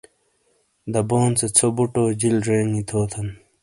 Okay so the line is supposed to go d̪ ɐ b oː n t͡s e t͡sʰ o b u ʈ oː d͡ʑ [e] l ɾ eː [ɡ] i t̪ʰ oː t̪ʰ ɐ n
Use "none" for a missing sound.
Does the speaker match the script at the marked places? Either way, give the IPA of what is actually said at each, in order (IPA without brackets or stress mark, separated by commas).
i, ŋ